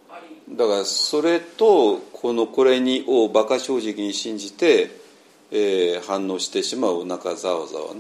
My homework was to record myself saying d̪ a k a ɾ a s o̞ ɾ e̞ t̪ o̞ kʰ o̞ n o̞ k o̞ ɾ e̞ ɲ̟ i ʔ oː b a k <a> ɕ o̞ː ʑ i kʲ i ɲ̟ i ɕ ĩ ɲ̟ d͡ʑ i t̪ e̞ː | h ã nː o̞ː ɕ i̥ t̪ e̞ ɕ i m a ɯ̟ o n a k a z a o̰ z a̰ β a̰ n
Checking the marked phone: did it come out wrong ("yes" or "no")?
no